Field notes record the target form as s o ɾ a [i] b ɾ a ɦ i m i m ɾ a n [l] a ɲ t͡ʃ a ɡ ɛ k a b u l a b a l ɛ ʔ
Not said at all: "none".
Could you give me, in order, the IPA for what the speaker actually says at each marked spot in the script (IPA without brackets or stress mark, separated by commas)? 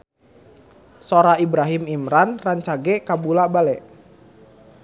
i, r